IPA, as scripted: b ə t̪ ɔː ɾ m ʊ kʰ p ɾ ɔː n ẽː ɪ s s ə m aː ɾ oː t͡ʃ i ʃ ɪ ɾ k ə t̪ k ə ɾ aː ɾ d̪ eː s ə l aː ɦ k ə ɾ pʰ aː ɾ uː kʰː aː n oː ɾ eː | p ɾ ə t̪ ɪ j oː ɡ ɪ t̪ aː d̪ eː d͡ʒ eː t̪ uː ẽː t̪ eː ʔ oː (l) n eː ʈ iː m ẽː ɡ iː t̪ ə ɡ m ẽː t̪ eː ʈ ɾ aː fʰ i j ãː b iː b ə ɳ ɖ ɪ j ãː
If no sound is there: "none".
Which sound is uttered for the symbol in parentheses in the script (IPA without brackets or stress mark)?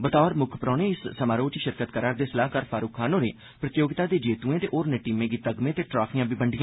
ɾ